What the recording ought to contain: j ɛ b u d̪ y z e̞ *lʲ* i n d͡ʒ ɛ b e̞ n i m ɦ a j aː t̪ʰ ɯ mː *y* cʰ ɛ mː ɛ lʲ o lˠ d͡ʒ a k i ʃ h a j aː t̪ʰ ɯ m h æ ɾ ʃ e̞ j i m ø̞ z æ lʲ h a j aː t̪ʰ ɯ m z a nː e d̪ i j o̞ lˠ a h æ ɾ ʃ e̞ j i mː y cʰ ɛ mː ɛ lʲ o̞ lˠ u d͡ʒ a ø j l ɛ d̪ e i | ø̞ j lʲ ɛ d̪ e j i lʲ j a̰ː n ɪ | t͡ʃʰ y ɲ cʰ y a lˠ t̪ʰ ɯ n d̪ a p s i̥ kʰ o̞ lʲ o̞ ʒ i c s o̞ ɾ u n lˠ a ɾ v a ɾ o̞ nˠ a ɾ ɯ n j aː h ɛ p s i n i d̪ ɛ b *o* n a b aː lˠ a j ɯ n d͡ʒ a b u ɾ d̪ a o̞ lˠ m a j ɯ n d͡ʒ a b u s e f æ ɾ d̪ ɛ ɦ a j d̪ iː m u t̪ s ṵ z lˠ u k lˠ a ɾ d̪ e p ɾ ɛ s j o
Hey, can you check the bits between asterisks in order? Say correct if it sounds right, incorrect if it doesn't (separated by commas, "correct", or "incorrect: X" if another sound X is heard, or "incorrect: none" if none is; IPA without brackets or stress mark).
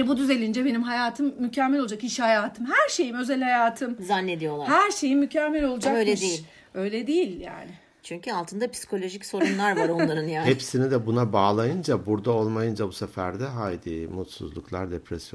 correct, correct, incorrect: u